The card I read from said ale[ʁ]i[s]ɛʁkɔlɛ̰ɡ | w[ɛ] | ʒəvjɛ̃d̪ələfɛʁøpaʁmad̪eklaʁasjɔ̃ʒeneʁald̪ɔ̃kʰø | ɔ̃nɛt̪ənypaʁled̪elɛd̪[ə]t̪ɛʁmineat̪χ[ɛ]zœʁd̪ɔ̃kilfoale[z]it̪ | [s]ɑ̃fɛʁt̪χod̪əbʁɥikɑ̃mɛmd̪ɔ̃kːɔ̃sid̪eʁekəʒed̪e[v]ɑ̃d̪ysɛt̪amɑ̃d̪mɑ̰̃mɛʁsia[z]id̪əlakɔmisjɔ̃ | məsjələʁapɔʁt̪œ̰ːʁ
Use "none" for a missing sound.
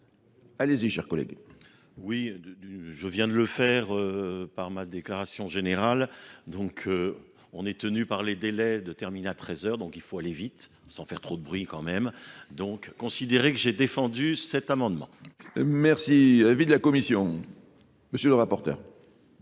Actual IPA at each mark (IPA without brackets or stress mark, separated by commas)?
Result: z, ʃ, i, ə, ɛ, v, s, f, v